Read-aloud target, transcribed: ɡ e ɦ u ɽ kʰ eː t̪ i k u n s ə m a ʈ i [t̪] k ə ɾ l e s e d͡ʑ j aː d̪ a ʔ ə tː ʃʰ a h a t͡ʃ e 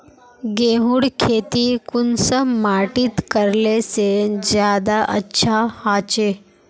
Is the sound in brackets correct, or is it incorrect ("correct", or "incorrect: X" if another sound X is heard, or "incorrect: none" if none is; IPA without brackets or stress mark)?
correct